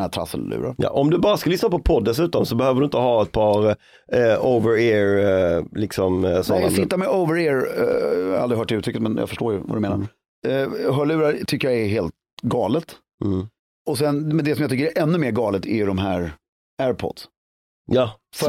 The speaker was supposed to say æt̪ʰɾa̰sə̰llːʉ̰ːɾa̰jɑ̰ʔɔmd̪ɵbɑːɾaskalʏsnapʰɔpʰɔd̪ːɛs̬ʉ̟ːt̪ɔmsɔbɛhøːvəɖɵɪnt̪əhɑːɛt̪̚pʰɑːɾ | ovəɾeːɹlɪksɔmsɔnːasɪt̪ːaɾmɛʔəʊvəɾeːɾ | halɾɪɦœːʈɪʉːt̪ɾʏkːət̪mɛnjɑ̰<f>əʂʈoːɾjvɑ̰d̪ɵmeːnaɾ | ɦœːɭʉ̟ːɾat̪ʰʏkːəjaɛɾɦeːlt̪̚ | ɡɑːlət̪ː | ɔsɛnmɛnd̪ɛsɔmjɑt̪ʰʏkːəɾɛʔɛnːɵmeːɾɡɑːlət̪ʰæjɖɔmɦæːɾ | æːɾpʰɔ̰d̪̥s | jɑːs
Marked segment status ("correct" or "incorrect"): correct